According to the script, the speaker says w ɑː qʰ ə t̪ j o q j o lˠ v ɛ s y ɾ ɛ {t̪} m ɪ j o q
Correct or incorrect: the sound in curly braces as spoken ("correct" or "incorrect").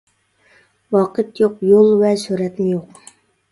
correct